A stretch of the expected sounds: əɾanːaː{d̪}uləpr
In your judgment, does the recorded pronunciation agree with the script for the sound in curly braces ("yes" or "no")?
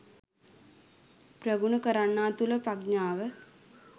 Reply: no